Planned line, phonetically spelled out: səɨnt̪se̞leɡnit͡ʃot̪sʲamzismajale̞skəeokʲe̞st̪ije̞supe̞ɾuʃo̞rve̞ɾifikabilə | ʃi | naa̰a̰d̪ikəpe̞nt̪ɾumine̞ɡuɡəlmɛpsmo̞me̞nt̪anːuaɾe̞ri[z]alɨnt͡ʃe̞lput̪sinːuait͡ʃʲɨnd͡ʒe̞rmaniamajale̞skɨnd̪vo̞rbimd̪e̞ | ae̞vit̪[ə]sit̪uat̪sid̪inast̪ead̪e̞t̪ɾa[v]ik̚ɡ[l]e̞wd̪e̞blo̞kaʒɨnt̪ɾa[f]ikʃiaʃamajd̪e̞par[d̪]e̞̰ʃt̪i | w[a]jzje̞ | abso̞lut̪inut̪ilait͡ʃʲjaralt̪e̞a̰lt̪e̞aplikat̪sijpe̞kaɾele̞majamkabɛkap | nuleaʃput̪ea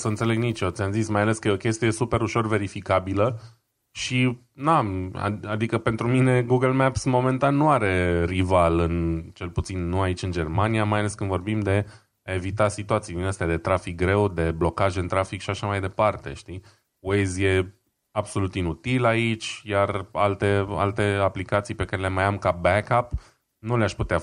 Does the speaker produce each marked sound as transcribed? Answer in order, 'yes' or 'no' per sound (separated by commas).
no, no, no, no, yes, no, no